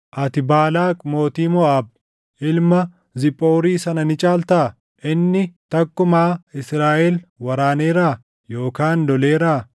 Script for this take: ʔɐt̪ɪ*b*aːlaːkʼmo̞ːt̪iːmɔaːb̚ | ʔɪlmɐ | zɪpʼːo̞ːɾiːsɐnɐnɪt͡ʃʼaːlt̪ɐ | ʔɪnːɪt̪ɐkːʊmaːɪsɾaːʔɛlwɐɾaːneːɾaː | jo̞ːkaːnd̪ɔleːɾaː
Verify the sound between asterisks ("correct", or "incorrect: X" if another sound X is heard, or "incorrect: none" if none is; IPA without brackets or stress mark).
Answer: correct